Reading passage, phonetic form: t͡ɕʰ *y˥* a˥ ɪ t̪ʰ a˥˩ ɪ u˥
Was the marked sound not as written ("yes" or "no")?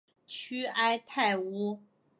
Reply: no